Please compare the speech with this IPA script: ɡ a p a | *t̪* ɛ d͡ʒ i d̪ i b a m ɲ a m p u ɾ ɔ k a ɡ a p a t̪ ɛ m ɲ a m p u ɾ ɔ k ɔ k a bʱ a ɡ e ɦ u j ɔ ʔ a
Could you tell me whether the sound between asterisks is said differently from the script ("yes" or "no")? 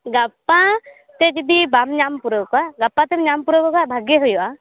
no